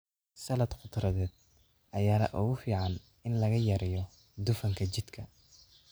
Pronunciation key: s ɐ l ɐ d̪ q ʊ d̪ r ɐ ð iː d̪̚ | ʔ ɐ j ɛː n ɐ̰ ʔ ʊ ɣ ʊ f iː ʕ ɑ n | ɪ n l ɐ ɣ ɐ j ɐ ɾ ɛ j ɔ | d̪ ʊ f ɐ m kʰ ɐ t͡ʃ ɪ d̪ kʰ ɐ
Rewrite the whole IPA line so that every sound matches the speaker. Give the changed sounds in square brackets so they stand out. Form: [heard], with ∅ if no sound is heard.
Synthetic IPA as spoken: s ɐ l ɐ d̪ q ʊ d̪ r ɐ ð [ɛː] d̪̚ | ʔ ɐ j [aː] n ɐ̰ ʔ ʊ ɣ ʊ f iː ʕ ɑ n | ɪ n l ɐ ɣ ɐ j ɐ ɾ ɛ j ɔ | d̪ ʊ f ɐ [ŋ] kʰ ɐ t͡ʃ ɪ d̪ kʰ ɐ